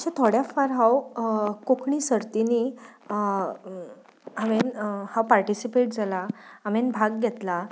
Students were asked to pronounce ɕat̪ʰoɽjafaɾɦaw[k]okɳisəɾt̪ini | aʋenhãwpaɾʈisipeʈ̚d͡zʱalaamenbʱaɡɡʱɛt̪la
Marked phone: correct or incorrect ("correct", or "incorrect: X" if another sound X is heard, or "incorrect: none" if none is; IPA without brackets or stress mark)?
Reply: correct